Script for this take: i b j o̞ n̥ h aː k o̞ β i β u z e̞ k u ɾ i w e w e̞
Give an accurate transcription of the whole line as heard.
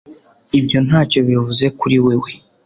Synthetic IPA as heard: i b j o̞ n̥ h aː c o̞ β i v u z e̞ k u ɾ i w e w e̞